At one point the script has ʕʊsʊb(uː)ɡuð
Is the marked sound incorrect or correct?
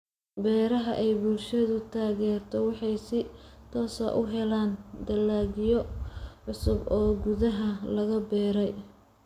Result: incorrect